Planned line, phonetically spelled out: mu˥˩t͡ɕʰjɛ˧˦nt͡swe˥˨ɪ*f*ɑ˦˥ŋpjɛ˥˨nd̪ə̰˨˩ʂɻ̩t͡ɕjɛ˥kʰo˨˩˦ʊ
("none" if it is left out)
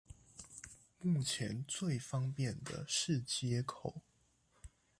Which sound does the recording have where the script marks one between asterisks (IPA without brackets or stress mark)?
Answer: f